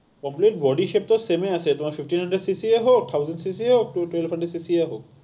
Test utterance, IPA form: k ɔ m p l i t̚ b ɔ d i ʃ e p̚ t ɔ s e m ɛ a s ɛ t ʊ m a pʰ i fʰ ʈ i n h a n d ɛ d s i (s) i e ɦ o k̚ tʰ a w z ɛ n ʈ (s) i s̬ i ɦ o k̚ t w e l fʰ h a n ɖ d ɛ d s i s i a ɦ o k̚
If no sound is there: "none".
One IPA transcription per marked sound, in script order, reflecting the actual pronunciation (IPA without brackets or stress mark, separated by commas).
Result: s, s